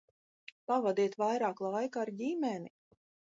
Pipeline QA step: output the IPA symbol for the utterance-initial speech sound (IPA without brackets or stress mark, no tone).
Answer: p